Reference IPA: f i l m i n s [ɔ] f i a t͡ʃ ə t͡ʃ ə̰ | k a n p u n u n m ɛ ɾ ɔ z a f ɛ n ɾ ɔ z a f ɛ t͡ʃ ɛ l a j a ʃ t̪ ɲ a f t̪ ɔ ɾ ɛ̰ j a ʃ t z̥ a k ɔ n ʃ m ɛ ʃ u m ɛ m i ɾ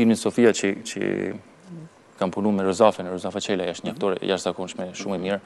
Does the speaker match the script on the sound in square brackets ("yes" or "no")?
yes